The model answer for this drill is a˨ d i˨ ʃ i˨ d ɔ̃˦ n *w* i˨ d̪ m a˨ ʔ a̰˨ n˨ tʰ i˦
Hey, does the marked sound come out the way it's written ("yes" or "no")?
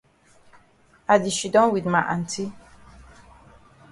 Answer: yes